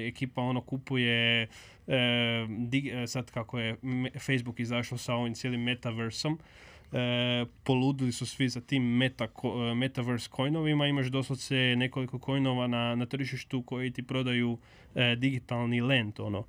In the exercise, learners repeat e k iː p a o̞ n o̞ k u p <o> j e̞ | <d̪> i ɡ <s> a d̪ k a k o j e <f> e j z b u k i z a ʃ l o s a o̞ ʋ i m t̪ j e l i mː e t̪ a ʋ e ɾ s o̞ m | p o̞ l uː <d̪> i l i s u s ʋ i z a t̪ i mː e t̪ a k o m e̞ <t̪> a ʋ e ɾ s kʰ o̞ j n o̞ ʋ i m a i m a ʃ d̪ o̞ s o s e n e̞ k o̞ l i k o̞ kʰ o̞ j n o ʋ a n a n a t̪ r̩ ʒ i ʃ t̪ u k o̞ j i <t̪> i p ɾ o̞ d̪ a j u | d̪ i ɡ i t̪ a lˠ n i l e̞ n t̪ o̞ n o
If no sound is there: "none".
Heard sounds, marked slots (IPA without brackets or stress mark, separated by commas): u, d̪, s, f, d̪, t̪, t̪